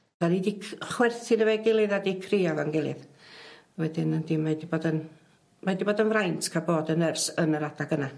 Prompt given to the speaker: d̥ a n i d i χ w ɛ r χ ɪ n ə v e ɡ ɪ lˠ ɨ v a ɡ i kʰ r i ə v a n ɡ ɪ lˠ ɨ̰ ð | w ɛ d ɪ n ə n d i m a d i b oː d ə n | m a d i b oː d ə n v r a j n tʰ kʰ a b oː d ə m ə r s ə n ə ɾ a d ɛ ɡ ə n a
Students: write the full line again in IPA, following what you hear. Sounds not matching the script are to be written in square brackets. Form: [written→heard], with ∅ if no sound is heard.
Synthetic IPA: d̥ a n i d i χ w ɛ r [χ→θ] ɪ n ə v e ɡ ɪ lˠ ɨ [v→ð] a [ɡ→d] i kʰ r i [ə→a] v a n ɡ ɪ lˠ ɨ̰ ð | w ɛ d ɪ n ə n d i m a d i b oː d ə n | m a d i b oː d ə n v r a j n tʰ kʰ a b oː d ə [m→n] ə r s ə n ə ɾ a d [ɛ→a] ɡ ə n a